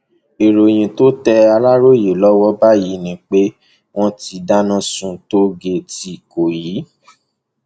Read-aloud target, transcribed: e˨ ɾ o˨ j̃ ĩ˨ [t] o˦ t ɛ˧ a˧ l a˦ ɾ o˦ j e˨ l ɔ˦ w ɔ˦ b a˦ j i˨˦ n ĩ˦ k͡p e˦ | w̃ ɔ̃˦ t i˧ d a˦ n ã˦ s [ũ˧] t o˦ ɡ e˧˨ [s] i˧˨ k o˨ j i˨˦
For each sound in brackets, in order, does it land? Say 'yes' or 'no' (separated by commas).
yes, yes, no